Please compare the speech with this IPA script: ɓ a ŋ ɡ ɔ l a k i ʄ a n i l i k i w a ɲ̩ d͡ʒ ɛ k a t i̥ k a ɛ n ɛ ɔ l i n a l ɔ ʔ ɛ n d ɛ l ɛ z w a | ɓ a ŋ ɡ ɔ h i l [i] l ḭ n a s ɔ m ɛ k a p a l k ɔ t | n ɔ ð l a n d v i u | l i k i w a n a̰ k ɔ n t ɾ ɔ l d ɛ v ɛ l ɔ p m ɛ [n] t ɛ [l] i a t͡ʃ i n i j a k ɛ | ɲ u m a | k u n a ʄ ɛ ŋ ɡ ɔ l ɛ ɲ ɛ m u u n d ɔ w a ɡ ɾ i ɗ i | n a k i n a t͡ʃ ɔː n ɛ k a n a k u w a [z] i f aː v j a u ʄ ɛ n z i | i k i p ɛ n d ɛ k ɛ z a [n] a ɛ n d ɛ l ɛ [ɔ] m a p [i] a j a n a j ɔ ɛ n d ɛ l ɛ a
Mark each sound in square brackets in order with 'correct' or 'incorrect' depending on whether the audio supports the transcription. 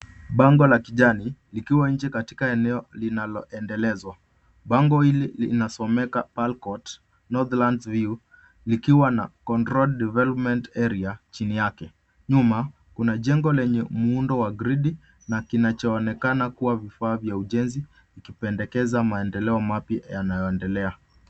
correct, correct, incorrect, incorrect, incorrect, correct, incorrect

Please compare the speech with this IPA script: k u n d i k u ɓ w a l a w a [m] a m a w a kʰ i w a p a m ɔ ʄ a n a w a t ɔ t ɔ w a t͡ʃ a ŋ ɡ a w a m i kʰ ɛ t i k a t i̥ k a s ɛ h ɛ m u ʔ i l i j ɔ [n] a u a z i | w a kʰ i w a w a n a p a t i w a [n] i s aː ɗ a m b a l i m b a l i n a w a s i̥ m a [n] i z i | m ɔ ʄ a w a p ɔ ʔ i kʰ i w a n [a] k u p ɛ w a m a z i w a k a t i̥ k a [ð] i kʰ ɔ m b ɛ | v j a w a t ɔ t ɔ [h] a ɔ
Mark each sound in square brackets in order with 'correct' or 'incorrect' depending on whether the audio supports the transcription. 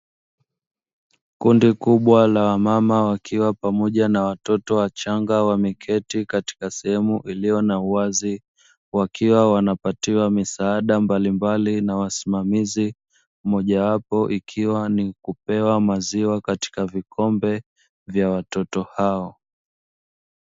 correct, correct, incorrect, incorrect, incorrect, incorrect, correct

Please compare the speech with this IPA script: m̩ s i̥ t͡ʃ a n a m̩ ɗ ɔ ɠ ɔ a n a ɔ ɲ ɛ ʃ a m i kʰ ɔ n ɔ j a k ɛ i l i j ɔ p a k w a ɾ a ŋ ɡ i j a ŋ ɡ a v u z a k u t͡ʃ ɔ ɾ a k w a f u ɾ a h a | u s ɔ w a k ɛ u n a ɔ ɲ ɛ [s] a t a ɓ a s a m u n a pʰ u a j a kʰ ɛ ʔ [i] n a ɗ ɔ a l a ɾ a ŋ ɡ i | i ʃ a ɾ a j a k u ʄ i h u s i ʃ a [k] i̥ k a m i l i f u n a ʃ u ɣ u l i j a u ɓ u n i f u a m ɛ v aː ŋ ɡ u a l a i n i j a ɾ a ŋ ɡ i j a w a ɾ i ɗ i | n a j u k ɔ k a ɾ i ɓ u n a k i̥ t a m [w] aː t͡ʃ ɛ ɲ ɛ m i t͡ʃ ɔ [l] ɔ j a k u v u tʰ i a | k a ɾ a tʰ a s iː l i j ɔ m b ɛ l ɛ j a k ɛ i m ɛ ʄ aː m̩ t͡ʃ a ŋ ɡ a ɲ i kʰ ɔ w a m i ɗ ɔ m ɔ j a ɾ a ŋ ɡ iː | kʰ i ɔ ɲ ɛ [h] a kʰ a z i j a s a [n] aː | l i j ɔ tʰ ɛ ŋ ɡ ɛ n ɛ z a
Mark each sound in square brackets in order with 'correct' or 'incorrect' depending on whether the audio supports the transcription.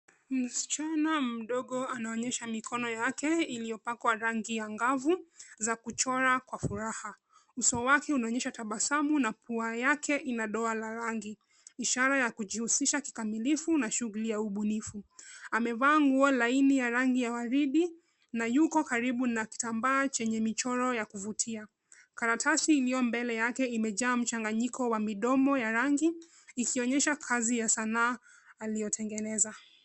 incorrect, correct, correct, incorrect, incorrect, incorrect, correct

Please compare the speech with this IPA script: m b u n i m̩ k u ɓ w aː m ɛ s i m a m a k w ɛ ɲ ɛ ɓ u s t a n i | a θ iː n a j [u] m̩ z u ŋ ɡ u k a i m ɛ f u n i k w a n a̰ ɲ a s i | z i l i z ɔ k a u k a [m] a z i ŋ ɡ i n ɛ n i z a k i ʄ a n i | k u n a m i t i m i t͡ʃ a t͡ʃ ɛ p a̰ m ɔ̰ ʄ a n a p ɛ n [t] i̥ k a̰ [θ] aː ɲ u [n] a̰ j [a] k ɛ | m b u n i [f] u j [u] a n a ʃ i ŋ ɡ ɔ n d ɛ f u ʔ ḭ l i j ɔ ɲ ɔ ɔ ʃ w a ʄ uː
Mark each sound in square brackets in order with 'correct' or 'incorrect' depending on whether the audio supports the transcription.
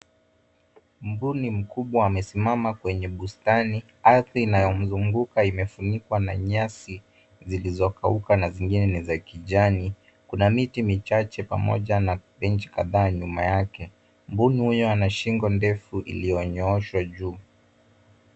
incorrect, incorrect, incorrect, incorrect, incorrect, correct, incorrect, incorrect

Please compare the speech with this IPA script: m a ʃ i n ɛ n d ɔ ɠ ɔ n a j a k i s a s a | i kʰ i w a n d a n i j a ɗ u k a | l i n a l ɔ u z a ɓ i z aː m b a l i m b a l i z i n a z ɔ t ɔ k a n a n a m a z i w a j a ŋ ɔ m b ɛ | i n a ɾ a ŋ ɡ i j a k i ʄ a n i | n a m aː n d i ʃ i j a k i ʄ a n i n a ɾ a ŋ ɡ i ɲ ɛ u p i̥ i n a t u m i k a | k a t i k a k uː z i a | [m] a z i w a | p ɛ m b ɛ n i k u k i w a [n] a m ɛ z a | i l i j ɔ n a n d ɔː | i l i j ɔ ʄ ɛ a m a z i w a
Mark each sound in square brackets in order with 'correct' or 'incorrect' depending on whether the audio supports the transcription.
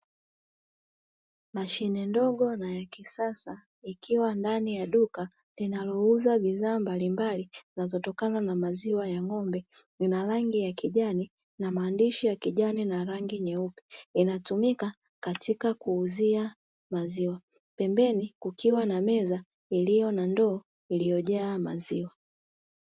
correct, correct

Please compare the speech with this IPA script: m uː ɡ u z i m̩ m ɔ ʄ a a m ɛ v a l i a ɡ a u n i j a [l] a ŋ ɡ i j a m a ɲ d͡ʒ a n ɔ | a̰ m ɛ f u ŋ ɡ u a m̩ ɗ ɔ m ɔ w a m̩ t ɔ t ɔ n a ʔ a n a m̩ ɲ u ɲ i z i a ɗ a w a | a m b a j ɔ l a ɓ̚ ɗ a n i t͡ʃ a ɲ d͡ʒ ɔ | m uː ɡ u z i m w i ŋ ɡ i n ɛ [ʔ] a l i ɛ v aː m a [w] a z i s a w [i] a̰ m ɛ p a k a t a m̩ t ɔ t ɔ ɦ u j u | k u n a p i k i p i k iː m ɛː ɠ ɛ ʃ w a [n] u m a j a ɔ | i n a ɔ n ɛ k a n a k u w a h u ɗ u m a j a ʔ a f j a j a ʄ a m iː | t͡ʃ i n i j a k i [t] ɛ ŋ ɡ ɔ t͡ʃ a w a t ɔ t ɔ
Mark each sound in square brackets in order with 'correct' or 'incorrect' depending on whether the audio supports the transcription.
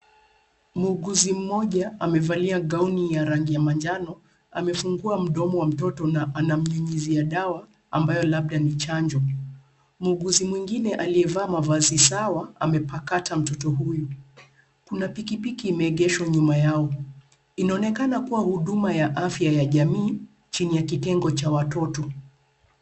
incorrect, correct, incorrect, incorrect, incorrect, correct

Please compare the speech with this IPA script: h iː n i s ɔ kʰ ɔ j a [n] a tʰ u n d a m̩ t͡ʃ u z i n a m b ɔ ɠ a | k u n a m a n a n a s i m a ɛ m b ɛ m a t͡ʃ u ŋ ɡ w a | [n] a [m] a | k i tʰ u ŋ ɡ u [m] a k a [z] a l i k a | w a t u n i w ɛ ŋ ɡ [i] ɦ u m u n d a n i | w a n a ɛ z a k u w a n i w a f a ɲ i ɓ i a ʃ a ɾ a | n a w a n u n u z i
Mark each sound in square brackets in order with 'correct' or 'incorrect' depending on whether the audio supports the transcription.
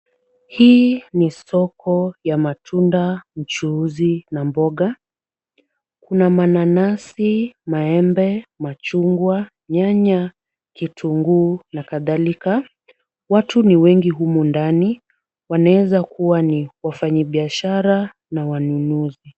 incorrect, incorrect, incorrect, incorrect, incorrect, correct

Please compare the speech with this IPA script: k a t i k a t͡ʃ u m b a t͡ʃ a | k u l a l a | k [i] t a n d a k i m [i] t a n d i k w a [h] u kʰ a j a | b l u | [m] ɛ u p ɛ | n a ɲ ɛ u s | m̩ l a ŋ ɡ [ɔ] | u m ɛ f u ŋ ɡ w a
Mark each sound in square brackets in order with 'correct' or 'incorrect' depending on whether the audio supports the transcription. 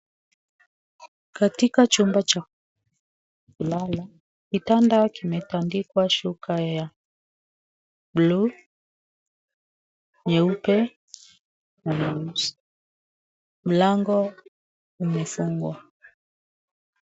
correct, incorrect, incorrect, incorrect, correct

